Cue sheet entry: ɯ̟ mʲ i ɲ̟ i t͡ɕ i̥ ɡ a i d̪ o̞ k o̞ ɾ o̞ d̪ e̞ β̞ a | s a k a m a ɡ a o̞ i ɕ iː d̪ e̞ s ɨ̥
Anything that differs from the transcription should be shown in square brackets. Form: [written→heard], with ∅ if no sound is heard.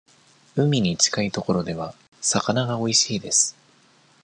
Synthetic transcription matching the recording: ɯ̟ mʲ i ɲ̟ i t͡ɕ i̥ [ɡ→k] a i [d̪→t̪] o̞ k o̞ ɾ o̞ d̪ e̞ β̞ a | s a k a [m→n] a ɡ a o̞ i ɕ iː d̪ e̞ s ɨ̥